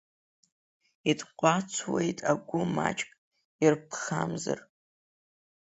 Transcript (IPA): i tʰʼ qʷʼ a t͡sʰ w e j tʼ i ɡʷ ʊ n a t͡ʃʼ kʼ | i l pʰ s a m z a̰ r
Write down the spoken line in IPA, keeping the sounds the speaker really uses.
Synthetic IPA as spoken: i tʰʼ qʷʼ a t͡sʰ w e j tʼ a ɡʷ ʊ m a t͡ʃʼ kʼ | i r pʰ χ a m z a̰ r